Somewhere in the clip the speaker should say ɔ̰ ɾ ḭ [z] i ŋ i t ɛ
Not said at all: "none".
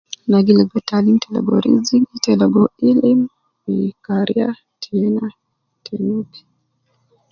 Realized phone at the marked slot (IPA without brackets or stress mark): z